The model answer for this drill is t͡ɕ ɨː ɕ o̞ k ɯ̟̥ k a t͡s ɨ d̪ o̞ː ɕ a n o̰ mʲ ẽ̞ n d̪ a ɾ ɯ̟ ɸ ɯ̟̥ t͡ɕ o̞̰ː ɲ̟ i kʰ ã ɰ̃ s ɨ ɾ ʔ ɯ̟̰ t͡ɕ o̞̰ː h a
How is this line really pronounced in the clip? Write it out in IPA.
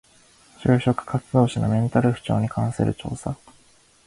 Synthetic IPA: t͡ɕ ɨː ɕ o̞ k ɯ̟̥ k a t͡s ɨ d̪ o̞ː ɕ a n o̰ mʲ ẽ̞ n t̪ a ɾ ɯ̟ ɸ ɯ̟̥ t͡ɕ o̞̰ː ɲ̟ i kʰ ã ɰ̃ s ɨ ɾ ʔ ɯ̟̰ t͡ɕ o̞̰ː s a

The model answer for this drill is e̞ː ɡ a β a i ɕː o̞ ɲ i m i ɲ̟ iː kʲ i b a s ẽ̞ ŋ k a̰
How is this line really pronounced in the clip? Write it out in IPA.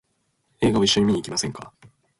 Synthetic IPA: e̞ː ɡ a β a i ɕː o̞ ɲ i m i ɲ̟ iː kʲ i m a s ẽ̞ ŋ k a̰

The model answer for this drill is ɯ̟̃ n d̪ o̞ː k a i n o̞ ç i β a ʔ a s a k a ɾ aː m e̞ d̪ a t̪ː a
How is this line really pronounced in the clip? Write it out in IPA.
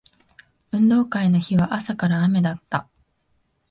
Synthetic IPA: ɯ̟̃ n d̪ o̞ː k a i n o̞ ç i β a ʔ a s a k a ɾ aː m e̞ d̪ a t̪ː a

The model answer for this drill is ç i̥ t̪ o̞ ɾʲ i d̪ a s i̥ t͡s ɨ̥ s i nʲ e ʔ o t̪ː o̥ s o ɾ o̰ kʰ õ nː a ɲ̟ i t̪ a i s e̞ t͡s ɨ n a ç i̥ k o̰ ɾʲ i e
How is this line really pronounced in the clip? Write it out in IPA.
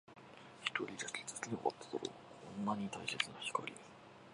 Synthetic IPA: ç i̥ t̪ o̞ ɾʲ i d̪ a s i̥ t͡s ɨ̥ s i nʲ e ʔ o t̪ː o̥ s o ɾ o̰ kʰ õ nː a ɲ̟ i t̪ a i s e̞ t͡s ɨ n a ç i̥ k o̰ ɾʲ i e

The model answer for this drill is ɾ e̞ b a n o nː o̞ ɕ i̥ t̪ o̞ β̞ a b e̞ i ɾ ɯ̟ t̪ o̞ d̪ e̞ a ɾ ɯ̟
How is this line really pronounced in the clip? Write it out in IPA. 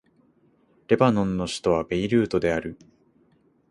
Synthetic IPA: ɾ e̞ b a n õ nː o̞ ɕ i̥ t̪ o̞ β̞ a b e̞ i ɾ ɯ̟ː t̪ o̞ d̪ e̞ a ɾ ɯ̟

